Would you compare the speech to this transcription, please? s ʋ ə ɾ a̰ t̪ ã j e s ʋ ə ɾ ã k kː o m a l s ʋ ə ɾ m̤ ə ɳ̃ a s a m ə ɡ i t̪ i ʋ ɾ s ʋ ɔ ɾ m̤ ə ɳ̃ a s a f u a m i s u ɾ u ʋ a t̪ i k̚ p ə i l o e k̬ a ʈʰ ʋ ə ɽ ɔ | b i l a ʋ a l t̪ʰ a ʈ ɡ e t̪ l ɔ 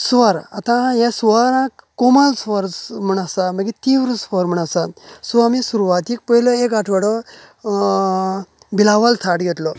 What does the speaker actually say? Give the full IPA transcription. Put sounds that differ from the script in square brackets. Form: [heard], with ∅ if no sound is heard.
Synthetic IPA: s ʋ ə ɾ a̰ t̪ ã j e s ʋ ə ɾ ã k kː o m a l s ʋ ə ɾ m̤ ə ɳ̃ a s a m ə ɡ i t̪ i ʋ ɾ s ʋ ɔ ɾ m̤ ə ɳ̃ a s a [s] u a m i s u ɾ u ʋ a t̪ i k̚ p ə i l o e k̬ a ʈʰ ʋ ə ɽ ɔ | b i l a ʋ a l t̪ʰ a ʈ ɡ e t̪ l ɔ